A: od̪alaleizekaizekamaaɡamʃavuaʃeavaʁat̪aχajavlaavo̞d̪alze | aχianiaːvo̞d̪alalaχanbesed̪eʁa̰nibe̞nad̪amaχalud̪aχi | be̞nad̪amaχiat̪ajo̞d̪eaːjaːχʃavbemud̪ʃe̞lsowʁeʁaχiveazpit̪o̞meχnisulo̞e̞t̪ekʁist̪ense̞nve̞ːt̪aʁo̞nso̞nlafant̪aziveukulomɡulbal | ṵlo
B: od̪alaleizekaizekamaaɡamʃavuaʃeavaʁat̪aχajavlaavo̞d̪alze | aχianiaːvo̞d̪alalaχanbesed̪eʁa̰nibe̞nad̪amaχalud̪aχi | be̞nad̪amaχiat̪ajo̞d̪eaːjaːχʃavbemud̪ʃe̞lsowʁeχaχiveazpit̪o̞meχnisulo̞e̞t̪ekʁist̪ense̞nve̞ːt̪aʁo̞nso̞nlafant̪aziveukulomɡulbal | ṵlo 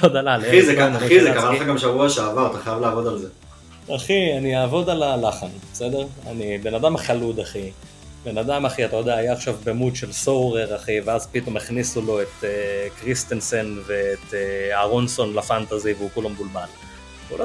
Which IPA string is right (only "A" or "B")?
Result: A